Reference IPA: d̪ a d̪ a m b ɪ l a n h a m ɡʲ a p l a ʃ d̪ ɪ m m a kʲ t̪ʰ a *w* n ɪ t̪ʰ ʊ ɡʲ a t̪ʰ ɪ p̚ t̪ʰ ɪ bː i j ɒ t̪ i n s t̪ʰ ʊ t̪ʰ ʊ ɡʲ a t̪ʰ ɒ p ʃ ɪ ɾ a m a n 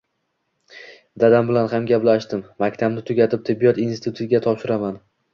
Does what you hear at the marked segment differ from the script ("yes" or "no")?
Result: yes